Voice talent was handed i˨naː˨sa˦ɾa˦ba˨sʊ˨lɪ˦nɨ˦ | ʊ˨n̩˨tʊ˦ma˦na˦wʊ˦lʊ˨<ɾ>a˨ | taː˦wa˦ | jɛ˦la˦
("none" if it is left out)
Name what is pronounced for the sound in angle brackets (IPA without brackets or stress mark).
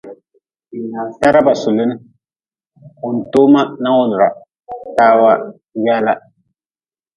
ɾ